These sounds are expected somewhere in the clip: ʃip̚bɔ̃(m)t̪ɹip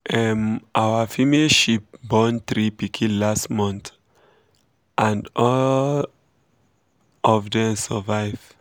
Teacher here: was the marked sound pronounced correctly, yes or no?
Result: no